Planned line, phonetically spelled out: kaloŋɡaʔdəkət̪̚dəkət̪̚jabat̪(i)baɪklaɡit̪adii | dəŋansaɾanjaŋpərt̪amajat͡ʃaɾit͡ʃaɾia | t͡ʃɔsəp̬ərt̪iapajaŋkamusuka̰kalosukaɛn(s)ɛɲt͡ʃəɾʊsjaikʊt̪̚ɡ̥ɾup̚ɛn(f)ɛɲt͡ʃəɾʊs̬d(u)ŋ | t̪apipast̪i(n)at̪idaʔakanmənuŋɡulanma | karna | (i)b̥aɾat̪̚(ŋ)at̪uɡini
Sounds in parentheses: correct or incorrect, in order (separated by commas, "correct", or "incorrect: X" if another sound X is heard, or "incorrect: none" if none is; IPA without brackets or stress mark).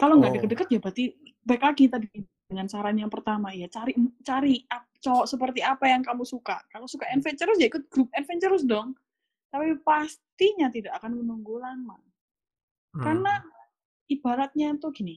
correct, incorrect: f, correct, incorrect: ɔ, incorrect: ɲ, correct, incorrect: ɲ